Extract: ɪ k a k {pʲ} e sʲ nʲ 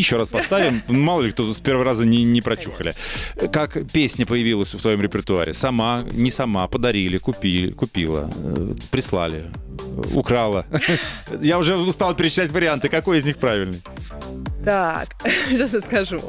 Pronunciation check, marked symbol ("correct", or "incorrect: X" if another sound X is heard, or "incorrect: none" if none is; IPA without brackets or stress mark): correct